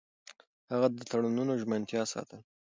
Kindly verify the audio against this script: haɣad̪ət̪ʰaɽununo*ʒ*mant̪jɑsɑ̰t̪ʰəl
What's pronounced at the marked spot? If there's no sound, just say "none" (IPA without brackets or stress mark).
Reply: ʒ